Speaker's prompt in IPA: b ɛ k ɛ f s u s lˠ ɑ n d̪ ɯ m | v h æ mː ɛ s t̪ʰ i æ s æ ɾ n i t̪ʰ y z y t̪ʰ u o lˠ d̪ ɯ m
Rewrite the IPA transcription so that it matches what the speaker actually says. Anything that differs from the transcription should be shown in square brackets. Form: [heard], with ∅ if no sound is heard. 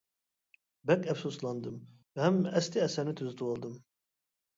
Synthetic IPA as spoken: b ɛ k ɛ f s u s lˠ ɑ n d̪ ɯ m | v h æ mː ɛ s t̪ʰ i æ s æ ɾ n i t̪ʰ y z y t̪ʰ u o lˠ d̪ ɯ m